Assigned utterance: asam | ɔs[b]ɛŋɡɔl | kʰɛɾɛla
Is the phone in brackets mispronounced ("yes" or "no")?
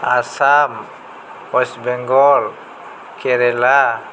no